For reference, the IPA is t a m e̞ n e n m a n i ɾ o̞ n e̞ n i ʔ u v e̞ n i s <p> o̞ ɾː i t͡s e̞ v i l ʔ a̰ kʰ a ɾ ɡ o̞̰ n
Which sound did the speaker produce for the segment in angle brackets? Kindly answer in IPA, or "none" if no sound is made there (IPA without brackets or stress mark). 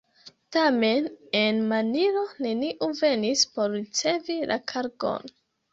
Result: p